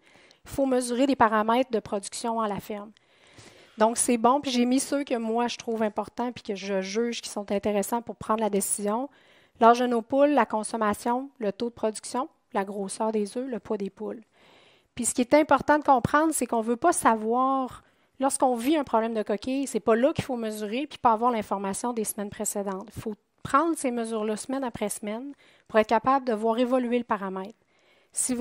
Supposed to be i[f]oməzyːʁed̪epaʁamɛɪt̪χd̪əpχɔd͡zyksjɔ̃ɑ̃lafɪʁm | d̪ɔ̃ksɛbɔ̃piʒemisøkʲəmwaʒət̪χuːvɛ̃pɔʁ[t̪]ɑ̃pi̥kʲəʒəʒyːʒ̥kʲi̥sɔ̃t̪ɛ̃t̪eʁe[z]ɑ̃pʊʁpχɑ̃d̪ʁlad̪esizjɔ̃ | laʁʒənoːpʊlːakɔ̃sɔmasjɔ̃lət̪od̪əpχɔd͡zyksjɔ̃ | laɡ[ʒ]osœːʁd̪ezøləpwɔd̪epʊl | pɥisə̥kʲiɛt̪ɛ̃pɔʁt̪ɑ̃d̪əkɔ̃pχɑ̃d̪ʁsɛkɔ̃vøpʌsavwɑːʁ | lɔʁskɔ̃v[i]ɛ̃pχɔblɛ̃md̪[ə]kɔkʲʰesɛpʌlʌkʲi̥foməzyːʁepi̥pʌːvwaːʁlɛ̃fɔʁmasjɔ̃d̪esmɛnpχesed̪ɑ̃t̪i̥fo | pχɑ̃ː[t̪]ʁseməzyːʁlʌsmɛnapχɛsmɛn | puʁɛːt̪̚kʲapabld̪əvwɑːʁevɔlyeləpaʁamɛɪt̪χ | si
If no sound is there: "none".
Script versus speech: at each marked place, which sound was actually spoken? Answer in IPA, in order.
f, t̪, s, ʁ, i, ə, d̪

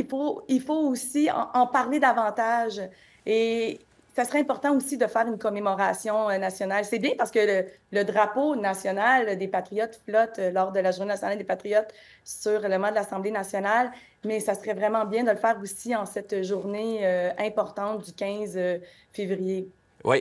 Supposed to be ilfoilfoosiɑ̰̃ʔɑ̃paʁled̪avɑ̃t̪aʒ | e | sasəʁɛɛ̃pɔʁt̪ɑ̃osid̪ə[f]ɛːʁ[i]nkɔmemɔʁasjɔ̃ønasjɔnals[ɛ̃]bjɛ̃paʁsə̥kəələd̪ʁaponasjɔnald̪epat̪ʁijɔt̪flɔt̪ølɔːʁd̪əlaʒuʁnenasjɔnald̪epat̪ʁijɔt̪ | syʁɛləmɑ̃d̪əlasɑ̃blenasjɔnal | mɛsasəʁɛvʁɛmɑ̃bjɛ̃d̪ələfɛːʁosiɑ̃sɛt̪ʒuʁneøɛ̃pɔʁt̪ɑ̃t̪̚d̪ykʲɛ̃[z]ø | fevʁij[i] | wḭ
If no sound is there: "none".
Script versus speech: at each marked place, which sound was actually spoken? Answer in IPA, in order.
f, y, ɛ, z, e

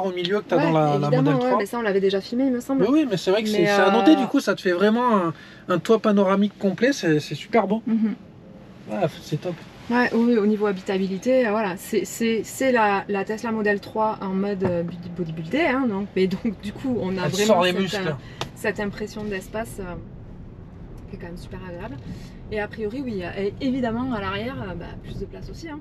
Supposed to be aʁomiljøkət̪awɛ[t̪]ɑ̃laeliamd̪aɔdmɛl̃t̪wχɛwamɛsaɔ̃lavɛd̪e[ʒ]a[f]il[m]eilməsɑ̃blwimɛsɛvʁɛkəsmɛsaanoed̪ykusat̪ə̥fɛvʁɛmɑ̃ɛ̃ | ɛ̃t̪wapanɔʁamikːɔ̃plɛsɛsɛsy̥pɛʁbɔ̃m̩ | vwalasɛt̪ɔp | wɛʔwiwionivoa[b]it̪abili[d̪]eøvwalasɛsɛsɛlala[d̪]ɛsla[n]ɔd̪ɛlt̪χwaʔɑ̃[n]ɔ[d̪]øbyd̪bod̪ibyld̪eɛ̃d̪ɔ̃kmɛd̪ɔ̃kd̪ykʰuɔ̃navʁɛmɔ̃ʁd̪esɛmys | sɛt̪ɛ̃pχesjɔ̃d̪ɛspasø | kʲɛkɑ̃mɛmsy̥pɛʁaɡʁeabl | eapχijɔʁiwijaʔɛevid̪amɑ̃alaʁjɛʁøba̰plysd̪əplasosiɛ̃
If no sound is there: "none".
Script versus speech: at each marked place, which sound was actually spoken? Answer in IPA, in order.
d̪, ʒ, f, m, b, t̪, t̪, m, m, d̪

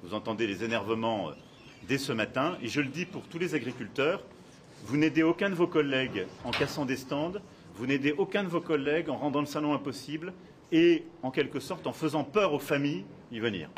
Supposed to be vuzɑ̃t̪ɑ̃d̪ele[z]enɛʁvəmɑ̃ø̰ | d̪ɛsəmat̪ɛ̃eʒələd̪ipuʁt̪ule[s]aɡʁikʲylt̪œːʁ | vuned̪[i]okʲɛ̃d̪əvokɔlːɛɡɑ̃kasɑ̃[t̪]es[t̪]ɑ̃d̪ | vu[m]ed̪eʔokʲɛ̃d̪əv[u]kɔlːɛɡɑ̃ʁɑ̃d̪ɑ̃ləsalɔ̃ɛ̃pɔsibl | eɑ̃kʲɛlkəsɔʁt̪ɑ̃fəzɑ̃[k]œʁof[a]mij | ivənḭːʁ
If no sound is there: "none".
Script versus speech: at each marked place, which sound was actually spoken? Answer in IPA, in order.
z, z, e, d̪, t̪, n, o, p, a

